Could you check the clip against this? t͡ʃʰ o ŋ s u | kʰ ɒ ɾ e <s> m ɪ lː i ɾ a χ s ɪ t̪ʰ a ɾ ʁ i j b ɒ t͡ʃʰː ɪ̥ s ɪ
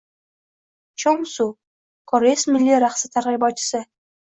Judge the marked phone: correct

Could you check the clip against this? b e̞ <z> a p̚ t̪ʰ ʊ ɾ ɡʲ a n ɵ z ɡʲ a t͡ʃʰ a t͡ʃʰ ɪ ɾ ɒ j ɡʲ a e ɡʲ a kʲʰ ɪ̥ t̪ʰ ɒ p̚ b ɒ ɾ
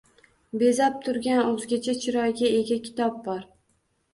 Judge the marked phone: correct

